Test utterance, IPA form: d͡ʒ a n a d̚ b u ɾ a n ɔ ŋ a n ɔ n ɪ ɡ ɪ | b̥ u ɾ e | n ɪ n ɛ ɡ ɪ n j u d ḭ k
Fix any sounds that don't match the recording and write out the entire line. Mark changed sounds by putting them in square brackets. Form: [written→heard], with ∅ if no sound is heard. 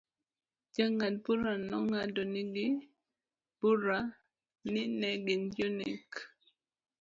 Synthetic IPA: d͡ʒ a [n→ŋ] a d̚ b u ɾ a n ɔ ŋ a [n→d] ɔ n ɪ ɡ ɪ | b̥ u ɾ [e→a] | n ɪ n ɛ ɡ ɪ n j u [d→n] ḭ k